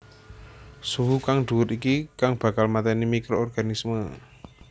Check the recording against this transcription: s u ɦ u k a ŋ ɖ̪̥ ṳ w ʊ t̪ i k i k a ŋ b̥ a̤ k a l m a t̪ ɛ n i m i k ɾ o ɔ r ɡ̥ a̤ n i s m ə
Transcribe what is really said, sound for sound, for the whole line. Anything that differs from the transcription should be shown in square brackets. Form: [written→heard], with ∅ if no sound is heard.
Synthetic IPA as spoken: s u ɦ u k a ŋ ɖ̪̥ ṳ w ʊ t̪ i k i k a ŋ b̥ a̤ k a l m a t̪ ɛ n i m i k ɾ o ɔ r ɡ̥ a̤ n i s m ə